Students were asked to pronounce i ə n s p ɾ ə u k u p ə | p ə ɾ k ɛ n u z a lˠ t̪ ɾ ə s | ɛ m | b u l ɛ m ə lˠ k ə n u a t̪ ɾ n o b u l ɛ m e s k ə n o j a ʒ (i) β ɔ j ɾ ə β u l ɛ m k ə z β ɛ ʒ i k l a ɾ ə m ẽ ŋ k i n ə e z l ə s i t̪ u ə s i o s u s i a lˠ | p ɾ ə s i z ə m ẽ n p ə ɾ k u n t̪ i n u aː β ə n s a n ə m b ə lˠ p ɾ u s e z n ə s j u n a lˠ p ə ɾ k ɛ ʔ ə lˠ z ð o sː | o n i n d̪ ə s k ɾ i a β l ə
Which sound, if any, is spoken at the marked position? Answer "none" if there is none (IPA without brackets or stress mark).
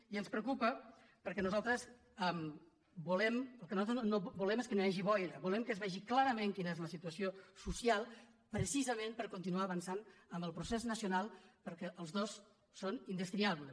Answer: i